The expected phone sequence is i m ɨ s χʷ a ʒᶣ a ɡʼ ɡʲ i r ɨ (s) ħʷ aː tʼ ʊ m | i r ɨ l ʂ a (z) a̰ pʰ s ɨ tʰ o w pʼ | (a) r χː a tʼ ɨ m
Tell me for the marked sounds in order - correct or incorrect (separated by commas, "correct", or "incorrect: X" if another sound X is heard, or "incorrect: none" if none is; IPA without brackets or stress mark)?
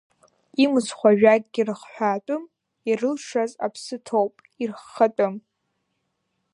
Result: incorrect: χ, correct, incorrect: i